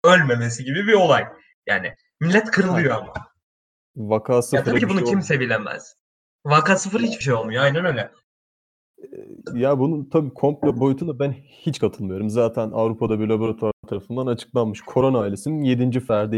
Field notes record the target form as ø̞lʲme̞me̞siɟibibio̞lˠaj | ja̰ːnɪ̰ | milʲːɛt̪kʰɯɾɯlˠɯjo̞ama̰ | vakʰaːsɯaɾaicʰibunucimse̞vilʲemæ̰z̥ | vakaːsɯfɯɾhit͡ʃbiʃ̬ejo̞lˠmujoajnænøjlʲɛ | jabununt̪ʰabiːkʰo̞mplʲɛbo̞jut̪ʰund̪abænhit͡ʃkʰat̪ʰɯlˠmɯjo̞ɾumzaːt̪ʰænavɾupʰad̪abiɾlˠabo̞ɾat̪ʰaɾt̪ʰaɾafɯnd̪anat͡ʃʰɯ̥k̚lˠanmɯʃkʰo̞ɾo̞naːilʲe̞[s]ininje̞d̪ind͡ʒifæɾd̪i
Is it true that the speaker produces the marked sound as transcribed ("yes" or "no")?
yes